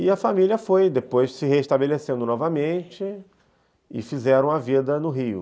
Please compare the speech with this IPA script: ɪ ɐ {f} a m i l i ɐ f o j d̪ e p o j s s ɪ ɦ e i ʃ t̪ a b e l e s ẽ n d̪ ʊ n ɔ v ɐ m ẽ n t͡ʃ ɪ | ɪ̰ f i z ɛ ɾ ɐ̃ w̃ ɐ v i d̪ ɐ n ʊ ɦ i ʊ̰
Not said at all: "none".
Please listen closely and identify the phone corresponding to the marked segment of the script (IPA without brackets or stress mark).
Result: f